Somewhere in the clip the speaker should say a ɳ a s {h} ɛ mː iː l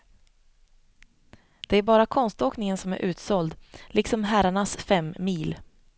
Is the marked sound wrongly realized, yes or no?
yes